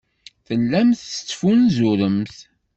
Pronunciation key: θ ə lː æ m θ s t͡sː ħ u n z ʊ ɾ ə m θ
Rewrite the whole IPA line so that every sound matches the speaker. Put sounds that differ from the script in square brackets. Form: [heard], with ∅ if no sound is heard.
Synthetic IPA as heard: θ ə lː æ m θ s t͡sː [f] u n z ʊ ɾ ə m θ